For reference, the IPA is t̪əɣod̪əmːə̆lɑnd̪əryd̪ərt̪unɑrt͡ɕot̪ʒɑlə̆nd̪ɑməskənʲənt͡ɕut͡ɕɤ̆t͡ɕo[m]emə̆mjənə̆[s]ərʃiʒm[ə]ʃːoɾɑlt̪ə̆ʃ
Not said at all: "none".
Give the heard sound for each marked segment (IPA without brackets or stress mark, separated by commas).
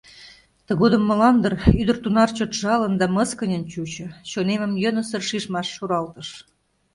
n, s, ɑ